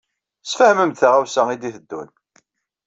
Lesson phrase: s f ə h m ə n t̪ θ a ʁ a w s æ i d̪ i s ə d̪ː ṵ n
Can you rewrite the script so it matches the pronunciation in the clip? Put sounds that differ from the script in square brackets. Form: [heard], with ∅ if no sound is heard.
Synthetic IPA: s f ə h m ə [m] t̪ θ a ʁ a w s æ i d̪ i [θ] ə d̪ː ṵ n